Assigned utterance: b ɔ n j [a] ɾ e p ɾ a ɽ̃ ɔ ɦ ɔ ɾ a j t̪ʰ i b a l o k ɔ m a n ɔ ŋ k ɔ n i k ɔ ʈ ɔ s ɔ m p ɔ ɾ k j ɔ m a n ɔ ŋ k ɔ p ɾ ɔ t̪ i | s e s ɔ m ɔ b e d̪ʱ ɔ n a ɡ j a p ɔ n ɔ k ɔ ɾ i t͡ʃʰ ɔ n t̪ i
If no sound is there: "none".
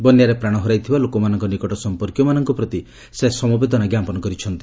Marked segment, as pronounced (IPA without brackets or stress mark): a